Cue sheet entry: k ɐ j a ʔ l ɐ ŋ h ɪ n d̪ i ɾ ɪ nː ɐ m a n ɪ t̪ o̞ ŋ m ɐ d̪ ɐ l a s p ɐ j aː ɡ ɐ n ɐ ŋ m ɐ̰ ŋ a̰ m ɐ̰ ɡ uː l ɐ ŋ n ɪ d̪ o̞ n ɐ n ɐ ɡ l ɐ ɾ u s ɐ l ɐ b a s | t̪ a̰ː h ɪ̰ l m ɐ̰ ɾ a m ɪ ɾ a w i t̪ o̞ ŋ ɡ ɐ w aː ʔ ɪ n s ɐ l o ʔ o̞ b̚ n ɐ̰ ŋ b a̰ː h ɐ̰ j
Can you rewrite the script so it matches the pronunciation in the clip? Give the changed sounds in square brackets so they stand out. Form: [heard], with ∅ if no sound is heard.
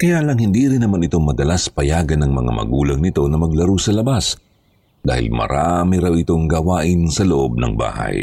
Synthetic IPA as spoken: k ɐ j a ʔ l ɐ ŋ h ɪ n d̪ i ɾ ɪ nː ɐ m a n ɪ t̪ o̞ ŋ m ɐ d̪ ɐ l a s p ɐ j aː ɡ ɐ n ɐ ŋ m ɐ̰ ŋ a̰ m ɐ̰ ɡ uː l ɐ ŋ n ɪ [t̪] o̞ n ɐ [m] ɐ ɡ l ɐ ɾ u s ɐ l ɐ b a s | [d̪] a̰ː h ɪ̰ l m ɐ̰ ɾ a m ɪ ɾ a w [ɪ] t̪ o̞ ŋ ɡ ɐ w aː ʔ ɪ n s ɐ l o ʔ o̞ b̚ n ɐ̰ ŋ b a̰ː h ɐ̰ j